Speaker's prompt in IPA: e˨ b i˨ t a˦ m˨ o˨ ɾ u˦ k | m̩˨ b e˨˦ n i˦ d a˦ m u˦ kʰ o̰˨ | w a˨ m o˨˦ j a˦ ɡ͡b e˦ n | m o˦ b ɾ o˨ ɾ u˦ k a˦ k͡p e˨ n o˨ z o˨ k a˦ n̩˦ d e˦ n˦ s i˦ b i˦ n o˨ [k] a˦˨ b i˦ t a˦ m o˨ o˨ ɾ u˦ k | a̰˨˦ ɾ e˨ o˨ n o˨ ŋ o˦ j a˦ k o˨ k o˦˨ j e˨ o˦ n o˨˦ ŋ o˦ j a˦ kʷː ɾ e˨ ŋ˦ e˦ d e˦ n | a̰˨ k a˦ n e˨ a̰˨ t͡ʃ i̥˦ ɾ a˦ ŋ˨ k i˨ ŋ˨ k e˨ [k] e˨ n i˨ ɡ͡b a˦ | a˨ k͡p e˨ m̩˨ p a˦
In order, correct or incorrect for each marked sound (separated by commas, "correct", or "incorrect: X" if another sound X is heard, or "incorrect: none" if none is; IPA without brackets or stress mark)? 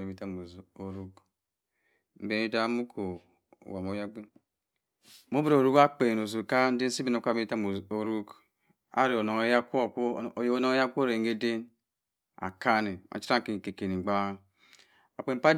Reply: correct, correct